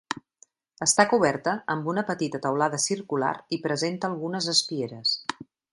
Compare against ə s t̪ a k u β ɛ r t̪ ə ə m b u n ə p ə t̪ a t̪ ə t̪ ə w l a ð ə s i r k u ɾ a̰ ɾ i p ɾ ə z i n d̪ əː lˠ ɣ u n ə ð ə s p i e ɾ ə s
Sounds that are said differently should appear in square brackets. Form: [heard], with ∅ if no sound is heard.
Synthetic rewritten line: ə s t̪ a k u β ɛ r t̪ ə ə m b u n ə p ə t̪ [i] t̪ ə t̪ ə w l a ð ə s i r k u [l] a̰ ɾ i p ɾ ə z [e] n [t̪] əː lˠ ɣ u n ə [z] ə s p i e ɾ ə s